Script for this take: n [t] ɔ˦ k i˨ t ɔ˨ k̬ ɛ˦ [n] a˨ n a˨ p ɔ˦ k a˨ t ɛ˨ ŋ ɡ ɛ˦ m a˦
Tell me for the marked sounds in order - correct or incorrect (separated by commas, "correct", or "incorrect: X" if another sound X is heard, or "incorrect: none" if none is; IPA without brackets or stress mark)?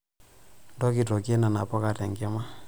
incorrect: d, correct